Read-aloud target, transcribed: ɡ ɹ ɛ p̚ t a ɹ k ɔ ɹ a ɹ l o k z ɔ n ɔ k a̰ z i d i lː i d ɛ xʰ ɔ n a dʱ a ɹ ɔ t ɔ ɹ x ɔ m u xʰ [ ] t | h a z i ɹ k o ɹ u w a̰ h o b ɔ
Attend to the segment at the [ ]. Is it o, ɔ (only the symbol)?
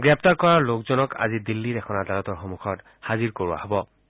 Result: ɔ